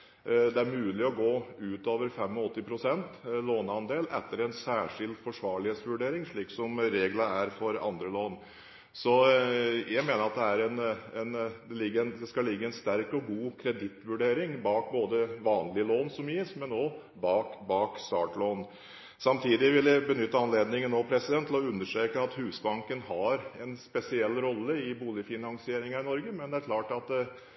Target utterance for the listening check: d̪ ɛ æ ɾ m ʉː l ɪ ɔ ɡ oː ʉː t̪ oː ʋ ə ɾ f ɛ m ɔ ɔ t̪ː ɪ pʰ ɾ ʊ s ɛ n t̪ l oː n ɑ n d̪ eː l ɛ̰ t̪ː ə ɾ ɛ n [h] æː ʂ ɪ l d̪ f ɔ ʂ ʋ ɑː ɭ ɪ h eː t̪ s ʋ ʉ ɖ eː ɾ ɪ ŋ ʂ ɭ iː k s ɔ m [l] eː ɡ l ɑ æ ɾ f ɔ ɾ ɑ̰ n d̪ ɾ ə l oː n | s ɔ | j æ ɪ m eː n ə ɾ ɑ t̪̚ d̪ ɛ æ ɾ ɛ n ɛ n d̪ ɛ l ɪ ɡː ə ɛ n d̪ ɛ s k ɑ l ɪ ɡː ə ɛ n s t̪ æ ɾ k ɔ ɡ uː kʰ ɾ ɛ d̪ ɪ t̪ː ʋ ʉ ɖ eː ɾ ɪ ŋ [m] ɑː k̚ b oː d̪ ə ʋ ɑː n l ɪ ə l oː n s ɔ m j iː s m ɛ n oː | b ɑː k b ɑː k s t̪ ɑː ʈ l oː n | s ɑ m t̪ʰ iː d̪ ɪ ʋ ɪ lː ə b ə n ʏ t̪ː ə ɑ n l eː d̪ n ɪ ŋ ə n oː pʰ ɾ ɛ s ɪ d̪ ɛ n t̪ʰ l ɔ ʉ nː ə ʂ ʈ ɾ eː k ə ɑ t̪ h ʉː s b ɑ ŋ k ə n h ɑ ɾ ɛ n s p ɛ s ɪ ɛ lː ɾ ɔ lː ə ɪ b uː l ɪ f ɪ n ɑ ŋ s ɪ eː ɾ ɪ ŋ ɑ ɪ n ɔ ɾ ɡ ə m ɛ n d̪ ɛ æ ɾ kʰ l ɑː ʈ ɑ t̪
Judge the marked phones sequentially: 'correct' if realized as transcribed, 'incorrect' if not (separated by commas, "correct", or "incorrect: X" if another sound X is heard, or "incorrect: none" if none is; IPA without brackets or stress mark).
incorrect: s, incorrect: ɾ, incorrect: b